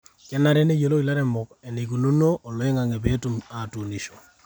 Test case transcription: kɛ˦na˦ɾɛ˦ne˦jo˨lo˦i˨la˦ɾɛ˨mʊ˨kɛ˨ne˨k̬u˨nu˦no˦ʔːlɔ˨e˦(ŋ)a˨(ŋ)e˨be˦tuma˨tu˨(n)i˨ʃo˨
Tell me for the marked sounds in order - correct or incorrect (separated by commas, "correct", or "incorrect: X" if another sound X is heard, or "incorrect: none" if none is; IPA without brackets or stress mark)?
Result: correct, correct, correct